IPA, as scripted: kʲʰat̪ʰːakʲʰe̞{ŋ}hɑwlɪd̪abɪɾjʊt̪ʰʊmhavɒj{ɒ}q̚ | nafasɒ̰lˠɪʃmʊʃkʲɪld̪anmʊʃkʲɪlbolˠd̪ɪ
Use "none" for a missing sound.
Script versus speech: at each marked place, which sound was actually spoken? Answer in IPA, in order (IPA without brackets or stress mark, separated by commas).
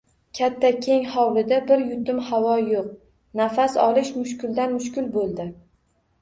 ŋ, o